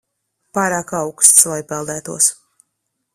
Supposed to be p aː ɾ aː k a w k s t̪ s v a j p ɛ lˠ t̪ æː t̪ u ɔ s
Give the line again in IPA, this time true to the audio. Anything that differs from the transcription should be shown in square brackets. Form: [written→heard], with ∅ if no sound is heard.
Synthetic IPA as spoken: p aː ɾ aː k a w k s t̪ s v a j p ɛ lˠ [t̪→d̪] æː t̪ u ɔ s